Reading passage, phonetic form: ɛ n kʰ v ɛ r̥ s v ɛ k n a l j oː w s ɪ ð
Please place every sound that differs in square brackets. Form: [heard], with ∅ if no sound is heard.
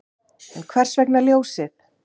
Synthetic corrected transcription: ɛ n kʰ v ɛ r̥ s v ɛ k n a l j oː w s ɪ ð